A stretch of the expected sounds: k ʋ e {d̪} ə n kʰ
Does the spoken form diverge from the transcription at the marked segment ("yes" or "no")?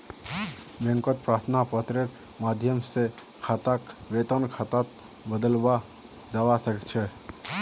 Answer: yes